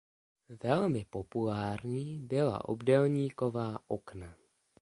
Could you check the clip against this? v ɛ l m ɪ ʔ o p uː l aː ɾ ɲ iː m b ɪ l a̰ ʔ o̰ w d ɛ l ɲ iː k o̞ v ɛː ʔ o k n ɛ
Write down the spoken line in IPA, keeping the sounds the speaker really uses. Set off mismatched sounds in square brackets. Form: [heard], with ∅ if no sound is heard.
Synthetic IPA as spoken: v ɛ l m ɪ [p] o p [u] l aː ɾ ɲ iː [∅] b ɪ l a̰ ʔ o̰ [b] d ɛ l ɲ iː k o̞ v [aː] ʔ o k n [a]